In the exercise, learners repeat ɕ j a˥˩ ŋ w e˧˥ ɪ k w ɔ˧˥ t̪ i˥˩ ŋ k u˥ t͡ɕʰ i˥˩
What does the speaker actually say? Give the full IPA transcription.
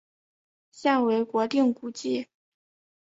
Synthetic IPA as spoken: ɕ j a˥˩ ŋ w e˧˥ ɪ k w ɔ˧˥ t̪ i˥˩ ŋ k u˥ t͡ɕ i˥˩